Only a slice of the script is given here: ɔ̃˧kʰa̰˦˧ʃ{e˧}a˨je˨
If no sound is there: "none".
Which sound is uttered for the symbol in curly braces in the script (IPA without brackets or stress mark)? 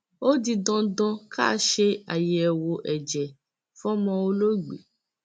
e˧